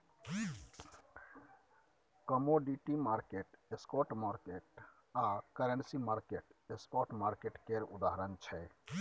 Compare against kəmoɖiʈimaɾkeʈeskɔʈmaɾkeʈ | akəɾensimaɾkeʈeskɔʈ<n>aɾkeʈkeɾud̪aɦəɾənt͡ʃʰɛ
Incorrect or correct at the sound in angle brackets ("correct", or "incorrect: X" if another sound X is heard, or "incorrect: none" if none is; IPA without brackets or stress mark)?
incorrect: m